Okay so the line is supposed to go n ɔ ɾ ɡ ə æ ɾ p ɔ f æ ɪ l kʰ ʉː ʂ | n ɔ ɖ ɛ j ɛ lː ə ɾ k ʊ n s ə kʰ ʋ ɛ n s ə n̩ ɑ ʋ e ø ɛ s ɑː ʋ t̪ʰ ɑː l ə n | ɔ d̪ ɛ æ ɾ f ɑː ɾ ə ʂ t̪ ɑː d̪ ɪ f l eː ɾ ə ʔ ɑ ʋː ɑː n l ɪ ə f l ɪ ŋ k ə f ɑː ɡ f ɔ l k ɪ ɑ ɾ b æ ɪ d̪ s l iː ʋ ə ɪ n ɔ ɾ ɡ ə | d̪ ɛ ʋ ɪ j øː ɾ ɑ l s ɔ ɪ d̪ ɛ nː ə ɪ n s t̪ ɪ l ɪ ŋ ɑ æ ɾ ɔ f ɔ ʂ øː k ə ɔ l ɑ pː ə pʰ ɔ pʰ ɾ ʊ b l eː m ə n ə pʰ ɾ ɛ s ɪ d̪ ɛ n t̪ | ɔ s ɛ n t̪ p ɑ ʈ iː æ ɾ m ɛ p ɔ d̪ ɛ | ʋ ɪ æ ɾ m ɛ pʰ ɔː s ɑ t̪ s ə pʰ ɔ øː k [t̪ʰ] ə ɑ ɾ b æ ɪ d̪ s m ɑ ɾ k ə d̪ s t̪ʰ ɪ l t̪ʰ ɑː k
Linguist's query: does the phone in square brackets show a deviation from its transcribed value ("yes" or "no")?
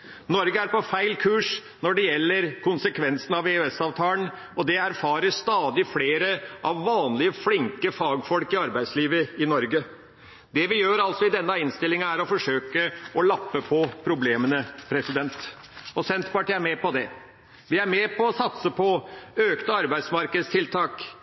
yes